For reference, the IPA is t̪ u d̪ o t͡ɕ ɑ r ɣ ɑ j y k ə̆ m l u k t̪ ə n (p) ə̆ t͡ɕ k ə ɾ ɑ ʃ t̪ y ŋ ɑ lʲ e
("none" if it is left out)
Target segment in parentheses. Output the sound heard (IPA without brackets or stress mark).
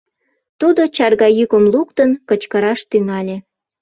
k